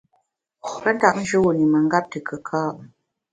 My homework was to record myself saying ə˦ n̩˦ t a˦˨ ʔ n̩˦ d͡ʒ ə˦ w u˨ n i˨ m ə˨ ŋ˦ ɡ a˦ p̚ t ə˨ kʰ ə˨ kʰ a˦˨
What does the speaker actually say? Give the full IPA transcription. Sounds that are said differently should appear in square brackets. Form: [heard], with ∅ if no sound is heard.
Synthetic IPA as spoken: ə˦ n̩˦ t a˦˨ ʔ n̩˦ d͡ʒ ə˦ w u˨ n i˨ m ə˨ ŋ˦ ɡ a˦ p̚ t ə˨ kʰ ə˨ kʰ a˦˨